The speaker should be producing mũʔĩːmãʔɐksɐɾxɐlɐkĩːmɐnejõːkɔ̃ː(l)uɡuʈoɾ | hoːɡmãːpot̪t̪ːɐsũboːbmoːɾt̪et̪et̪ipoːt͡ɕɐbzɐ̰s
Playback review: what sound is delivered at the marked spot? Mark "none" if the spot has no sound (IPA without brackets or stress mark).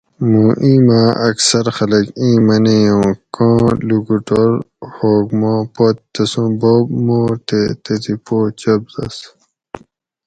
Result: l